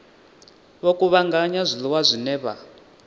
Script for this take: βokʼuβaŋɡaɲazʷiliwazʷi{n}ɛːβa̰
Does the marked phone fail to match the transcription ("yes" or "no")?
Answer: no